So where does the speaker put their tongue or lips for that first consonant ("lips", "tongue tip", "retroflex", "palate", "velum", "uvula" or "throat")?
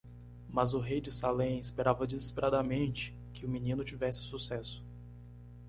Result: lips